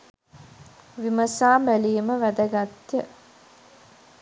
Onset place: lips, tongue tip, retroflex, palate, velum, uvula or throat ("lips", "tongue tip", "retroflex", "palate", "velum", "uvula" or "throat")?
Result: lips